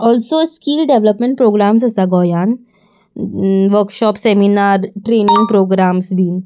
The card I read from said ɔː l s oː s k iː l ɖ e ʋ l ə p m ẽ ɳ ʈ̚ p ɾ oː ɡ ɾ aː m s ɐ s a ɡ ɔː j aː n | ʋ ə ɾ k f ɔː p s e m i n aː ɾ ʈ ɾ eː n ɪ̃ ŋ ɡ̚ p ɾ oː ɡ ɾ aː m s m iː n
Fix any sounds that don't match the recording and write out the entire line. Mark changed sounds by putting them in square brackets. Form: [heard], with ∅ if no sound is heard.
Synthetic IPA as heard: ɔː l s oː s k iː l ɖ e ʋ l ə p m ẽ ɳ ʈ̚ p ɾ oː ɡ ɾ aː m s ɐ s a ɡ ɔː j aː n | ʋ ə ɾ k [ʃ] ɔː p s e m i n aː ɾ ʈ ɾ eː n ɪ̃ ŋ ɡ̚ p ɾ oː ɡ ɾ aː m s [b] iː n